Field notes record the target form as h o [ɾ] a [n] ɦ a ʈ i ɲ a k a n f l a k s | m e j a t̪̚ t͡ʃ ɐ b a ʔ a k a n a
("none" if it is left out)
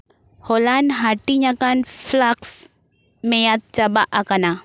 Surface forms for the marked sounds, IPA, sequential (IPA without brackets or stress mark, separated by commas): l, n